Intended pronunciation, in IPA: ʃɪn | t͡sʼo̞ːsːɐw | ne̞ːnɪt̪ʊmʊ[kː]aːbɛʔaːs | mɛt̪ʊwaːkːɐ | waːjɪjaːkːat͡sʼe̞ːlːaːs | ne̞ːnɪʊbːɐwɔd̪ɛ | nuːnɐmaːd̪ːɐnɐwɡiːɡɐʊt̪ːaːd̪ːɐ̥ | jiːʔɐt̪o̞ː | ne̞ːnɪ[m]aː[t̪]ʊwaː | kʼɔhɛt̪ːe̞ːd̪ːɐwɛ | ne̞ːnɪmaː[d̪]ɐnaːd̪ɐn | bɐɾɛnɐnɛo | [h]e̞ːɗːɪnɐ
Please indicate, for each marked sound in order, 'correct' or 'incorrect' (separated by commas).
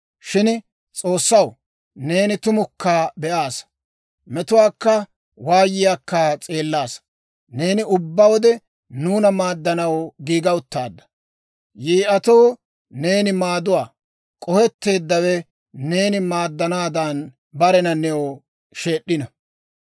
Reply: correct, correct, incorrect, incorrect, incorrect